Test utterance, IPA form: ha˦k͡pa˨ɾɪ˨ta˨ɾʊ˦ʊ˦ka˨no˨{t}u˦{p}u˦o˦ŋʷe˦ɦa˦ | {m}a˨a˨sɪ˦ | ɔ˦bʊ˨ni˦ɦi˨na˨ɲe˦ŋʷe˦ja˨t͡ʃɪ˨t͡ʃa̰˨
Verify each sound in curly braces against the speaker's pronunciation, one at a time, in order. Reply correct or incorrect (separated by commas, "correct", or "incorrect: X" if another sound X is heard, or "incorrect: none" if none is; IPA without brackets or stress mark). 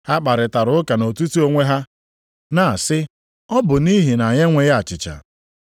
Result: correct, incorrect: t, incorrect: n